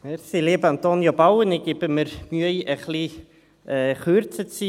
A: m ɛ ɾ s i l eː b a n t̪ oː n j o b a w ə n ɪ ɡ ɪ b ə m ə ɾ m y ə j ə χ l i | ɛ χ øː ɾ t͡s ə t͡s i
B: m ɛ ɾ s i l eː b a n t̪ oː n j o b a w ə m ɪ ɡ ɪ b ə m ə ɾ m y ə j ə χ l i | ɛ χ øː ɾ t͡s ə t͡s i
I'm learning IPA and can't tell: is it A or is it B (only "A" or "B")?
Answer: A